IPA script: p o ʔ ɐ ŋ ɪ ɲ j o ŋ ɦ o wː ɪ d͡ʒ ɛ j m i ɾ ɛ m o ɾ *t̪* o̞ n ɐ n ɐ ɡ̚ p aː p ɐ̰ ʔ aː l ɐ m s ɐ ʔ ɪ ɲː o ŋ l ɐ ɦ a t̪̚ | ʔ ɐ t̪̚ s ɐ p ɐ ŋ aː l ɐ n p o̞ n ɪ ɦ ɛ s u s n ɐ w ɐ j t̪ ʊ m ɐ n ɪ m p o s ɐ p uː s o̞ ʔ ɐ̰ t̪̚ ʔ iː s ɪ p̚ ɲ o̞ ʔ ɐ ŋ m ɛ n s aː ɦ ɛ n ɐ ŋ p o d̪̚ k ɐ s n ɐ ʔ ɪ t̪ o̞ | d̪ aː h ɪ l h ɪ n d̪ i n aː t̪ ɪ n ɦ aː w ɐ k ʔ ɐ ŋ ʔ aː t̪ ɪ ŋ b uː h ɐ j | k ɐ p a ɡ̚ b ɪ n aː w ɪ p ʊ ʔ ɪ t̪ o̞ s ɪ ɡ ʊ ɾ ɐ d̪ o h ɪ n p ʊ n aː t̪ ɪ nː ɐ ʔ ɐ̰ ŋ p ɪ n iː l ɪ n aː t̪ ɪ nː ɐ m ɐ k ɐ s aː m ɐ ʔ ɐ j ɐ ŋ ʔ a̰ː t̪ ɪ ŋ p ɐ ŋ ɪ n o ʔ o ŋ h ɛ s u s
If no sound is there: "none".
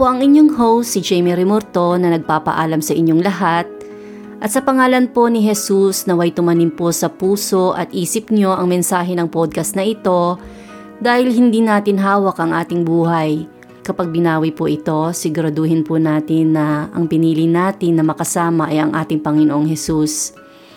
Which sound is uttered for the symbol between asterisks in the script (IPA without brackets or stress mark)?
t̪